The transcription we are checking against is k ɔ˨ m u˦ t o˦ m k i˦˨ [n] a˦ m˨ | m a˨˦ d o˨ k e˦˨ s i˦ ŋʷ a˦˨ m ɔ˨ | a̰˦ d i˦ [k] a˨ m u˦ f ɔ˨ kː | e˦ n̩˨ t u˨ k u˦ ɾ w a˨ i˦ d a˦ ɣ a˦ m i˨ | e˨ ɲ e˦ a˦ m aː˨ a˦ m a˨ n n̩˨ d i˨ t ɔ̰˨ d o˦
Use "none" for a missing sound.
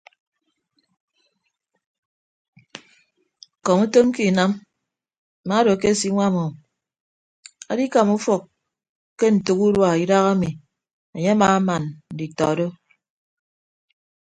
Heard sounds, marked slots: n, k

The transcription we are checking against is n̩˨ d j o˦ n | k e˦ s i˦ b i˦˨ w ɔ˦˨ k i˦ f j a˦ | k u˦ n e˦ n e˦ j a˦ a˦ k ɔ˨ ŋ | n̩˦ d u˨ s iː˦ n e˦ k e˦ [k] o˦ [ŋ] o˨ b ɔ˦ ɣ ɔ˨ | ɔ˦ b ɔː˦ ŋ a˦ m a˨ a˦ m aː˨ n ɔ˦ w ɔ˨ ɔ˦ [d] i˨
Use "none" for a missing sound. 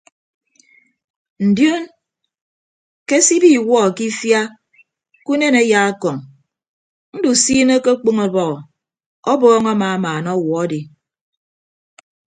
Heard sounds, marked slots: k͡p, ŋ, d

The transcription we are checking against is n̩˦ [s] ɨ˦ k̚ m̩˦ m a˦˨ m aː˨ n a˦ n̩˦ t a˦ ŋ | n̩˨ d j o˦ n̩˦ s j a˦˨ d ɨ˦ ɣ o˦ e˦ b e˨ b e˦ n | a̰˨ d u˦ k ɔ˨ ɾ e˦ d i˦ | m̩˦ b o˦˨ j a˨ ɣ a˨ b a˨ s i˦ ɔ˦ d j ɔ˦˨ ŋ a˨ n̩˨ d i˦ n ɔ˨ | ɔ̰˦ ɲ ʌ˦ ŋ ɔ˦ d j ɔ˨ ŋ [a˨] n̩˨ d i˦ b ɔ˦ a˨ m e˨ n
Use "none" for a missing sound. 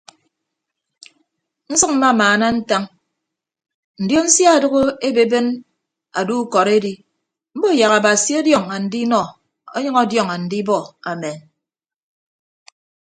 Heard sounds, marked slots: s, a˨

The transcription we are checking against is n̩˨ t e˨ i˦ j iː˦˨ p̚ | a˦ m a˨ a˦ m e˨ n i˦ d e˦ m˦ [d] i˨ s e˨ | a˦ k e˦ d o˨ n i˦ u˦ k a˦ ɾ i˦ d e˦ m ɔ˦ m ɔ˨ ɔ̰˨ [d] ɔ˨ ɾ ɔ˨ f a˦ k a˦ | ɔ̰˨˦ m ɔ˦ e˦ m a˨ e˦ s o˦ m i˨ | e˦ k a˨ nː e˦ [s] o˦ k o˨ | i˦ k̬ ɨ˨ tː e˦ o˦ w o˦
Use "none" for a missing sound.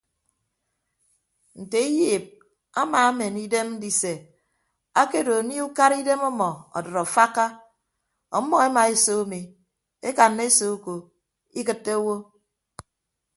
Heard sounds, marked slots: d, d, s

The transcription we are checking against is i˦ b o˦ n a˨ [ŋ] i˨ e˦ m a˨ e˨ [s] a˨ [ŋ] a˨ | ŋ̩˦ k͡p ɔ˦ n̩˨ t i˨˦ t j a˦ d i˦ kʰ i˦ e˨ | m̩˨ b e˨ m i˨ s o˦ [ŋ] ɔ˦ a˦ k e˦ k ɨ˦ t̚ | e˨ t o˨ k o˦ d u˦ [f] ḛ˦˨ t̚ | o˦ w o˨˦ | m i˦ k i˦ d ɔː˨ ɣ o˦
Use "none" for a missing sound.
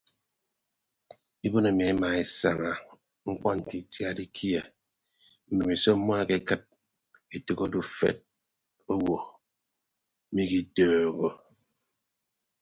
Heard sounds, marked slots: m, s, ŋ, m, f

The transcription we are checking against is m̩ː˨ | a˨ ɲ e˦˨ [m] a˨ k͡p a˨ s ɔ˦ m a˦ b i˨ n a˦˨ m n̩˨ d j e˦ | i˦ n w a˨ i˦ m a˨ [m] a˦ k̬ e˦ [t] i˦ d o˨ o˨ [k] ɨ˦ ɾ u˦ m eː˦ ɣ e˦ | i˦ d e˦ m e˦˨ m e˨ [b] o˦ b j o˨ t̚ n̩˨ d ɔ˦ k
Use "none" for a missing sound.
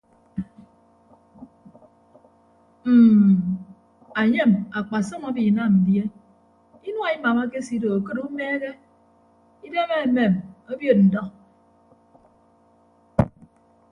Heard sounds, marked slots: m, m, s, k, m

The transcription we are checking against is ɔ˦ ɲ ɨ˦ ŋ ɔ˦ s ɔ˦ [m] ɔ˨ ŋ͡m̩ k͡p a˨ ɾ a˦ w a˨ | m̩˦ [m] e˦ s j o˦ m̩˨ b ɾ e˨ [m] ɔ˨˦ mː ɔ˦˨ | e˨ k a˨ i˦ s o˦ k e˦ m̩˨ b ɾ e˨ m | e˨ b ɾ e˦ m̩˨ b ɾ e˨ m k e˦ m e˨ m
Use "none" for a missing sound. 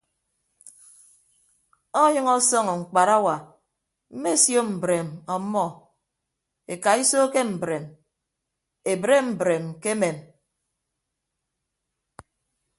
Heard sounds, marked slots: ŋ, m, m

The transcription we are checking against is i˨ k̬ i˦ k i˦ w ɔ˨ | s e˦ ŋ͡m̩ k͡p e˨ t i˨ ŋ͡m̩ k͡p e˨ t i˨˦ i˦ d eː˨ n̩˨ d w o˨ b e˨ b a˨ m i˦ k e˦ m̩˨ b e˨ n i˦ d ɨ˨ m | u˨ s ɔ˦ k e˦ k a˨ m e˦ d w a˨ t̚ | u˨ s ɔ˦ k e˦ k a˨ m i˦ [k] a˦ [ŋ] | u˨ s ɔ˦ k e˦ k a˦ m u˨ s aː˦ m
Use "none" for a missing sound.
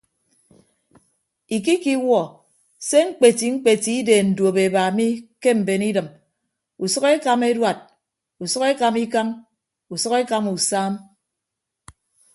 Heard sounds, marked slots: k, m

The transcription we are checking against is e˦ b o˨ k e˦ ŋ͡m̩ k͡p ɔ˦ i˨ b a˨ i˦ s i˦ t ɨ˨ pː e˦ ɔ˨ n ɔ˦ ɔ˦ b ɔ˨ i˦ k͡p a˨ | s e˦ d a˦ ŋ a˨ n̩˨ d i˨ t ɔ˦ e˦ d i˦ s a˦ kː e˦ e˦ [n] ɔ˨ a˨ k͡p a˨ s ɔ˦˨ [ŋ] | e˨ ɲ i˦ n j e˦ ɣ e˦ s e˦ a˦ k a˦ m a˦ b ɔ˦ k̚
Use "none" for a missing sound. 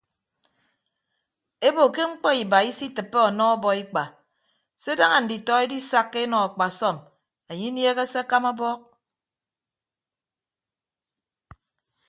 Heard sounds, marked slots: n, m

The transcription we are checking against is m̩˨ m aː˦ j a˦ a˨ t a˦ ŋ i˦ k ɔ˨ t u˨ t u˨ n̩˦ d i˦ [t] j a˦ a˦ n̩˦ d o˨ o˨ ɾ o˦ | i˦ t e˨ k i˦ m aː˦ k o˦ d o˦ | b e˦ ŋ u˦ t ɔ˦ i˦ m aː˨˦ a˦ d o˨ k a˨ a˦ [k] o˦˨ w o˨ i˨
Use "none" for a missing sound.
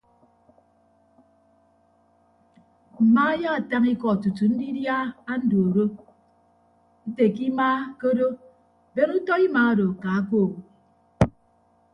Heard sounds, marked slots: d, k

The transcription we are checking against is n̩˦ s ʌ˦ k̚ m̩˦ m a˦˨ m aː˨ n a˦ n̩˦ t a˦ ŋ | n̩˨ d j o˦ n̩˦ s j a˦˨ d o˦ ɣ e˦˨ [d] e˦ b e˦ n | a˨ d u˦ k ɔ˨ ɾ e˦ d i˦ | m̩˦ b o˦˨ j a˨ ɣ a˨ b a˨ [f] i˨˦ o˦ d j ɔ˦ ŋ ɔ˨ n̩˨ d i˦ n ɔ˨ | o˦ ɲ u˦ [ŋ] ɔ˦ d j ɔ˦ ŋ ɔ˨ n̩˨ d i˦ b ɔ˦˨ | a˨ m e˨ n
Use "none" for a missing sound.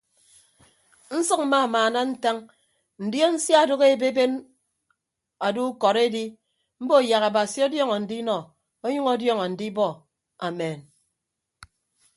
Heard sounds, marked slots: b, s, ŋ

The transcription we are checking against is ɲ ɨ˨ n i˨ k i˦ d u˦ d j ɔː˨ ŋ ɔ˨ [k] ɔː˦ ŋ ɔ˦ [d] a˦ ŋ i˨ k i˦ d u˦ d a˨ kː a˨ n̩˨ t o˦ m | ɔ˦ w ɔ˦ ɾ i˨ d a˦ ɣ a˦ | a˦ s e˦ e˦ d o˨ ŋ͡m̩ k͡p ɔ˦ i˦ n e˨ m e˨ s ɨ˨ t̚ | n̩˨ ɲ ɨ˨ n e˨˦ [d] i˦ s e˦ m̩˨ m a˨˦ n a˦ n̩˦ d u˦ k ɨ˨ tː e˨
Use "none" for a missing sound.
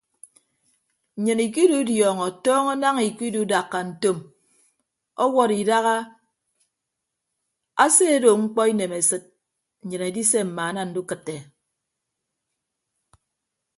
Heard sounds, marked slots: t, n, d

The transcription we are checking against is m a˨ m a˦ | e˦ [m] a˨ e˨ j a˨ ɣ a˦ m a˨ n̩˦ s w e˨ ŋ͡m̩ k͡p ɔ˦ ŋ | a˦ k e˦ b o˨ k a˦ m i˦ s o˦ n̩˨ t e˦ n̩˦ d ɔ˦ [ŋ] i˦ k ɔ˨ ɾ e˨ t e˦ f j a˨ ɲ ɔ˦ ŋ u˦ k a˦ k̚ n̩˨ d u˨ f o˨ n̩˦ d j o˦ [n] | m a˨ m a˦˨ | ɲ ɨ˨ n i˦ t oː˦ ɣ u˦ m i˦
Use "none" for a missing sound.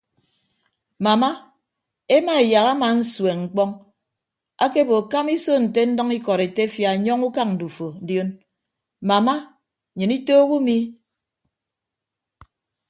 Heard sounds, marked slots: m, ŋ, n

